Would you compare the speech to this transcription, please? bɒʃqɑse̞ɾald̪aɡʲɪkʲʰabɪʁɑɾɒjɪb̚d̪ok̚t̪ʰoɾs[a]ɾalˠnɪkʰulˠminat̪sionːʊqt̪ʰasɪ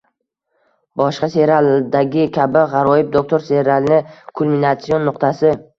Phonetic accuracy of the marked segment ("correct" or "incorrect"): incorrect